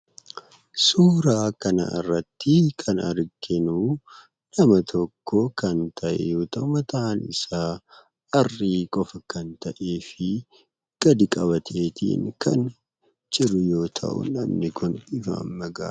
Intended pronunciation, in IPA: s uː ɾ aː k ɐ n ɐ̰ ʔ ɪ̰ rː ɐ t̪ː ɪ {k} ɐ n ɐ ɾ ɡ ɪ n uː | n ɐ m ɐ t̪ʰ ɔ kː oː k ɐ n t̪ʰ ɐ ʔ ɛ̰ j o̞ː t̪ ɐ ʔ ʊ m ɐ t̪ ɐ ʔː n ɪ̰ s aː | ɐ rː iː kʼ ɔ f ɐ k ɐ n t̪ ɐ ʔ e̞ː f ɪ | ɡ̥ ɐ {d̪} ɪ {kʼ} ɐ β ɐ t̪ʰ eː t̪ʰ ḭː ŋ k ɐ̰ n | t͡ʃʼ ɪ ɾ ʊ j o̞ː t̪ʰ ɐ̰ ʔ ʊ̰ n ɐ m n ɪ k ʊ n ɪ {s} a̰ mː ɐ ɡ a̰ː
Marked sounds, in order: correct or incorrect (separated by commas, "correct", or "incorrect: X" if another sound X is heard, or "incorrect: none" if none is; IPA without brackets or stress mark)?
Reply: incorrect: kʰ, correct, correct, incorrect: f